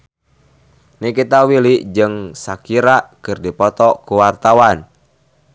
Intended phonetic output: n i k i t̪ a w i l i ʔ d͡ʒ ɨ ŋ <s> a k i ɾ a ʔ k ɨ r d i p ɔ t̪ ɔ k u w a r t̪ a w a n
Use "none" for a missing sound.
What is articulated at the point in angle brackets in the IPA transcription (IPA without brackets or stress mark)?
s